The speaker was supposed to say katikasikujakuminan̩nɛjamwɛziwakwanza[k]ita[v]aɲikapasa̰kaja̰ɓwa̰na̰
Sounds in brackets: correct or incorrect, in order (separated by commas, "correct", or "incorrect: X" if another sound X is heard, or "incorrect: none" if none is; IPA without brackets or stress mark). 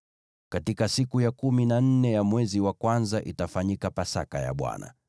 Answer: incorrect: ʔ, incorrect: f